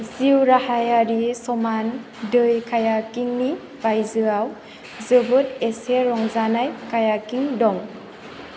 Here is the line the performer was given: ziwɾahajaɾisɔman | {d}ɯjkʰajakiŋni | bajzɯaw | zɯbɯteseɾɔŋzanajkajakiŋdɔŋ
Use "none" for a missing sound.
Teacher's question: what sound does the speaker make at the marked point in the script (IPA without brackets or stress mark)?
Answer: d